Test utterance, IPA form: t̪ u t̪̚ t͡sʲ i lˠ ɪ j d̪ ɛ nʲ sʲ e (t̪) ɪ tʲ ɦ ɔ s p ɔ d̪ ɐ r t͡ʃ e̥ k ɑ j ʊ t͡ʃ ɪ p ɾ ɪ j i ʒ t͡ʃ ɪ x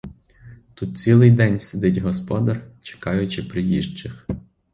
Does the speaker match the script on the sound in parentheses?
no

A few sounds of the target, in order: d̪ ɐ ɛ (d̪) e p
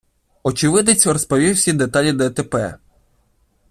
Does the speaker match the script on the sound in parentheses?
no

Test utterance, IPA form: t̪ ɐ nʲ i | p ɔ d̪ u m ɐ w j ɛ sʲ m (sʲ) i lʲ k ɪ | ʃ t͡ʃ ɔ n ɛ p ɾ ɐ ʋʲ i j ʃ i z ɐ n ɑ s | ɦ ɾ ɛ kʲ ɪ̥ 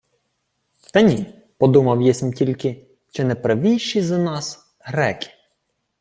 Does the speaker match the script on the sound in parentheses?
no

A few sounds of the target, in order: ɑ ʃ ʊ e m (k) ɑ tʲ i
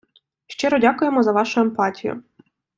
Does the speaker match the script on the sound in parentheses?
no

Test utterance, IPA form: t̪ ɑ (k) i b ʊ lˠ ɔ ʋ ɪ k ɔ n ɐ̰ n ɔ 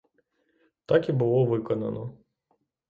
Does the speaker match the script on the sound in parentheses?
yes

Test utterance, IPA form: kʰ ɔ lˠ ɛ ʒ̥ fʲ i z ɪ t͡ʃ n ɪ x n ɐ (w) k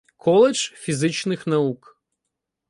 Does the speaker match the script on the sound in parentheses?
no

